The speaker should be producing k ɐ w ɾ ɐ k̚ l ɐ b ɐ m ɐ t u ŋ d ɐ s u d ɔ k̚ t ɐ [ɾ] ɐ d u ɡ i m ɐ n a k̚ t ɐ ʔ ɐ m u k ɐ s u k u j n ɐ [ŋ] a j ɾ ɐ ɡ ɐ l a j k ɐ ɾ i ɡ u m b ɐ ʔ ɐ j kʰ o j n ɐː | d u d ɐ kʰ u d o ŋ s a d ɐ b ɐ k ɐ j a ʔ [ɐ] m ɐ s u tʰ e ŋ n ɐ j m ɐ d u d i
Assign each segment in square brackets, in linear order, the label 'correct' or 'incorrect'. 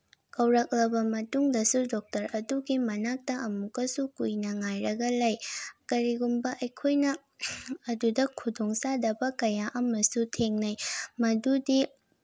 correct, correct, correct

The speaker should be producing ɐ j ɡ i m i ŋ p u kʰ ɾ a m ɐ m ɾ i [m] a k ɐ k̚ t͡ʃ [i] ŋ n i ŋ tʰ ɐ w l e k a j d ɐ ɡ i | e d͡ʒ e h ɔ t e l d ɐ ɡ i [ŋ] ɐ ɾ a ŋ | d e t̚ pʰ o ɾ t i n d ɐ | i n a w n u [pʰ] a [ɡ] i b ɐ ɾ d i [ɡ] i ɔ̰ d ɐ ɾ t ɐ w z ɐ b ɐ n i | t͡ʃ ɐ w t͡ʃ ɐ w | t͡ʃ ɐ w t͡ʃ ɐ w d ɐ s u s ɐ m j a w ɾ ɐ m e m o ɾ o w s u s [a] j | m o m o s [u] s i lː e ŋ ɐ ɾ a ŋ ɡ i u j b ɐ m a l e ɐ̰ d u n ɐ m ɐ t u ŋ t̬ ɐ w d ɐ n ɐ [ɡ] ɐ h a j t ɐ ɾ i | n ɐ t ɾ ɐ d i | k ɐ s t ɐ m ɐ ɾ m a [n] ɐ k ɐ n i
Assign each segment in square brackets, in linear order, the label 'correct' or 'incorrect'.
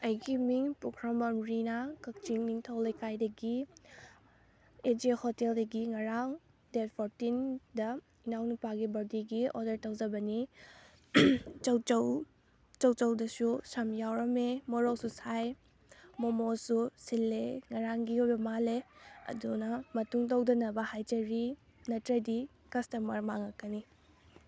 incorrect: n, correct, correct, incorrect: p, correct, correct, correct, correct, incorrect: b, incorrect: ŋ

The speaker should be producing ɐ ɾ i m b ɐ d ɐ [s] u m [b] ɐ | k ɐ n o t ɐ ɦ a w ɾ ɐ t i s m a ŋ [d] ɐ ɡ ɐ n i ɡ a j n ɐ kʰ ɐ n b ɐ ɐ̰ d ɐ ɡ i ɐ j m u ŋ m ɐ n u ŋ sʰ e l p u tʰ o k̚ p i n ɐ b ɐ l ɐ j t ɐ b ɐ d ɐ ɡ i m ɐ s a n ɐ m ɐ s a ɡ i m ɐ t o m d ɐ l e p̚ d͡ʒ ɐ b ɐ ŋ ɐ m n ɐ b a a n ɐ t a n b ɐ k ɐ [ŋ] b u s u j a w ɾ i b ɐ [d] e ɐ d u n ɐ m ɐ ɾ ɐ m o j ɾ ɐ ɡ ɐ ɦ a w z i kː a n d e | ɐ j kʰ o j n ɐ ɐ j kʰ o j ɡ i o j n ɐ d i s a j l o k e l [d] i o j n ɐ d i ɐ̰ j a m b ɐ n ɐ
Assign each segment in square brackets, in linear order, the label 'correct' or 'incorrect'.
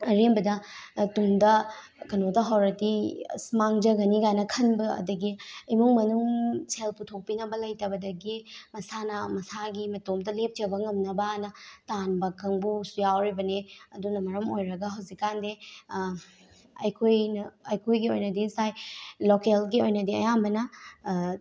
incorrect: t, incorrect: d, incorrect: d͡ʒ, correct, incorrect: n, incorrect: ɡ

